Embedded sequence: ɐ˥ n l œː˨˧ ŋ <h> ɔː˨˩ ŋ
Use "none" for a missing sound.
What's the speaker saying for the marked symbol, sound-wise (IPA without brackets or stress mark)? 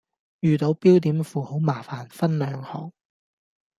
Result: h